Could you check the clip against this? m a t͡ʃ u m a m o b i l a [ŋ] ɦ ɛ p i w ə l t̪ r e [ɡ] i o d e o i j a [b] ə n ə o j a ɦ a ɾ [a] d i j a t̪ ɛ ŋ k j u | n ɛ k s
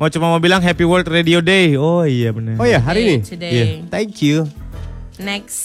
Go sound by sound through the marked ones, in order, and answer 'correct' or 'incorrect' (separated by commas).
correct, incorrect, correct, incorrect